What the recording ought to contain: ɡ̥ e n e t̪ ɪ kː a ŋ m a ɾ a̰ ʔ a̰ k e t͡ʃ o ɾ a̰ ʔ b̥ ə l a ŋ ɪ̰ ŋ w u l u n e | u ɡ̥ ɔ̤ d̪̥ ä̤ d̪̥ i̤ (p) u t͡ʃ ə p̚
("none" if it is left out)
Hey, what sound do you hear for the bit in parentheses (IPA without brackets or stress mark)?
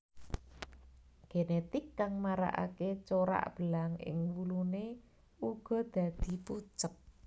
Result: p